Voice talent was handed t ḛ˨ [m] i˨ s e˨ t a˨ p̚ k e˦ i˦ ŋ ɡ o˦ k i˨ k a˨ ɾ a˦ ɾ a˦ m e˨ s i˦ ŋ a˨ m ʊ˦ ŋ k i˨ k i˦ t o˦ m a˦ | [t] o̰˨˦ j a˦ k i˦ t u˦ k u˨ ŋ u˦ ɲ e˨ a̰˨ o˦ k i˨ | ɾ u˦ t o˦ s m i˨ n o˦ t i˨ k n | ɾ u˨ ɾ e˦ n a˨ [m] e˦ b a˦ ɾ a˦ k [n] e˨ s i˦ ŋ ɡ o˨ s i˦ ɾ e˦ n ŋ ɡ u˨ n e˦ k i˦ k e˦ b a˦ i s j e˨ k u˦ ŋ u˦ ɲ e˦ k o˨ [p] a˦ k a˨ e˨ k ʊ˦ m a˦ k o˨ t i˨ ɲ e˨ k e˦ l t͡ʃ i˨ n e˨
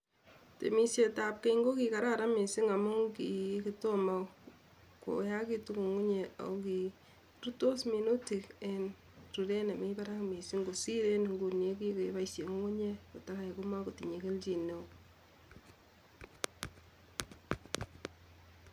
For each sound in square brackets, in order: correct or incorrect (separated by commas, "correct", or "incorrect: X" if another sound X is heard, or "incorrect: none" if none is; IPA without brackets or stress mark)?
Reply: correct, incorrect: k, correct, incorrect: m, incorrect: t